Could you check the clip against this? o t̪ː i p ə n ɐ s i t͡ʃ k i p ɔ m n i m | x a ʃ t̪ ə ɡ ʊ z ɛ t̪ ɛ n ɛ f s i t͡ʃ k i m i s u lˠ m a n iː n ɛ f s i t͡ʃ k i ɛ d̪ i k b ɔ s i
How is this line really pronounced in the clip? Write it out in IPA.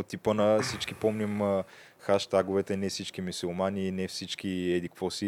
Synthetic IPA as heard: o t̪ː i p ə n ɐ s i t͡ʃ k i p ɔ m n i m | x a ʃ t̪ a ɡ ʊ v ɛ t̪ ɛ n ɛ f s i t͡ʃ k i m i s u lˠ m a n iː n ɛ f s i t͡ʃ k i ɛ d̪ i k v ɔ s i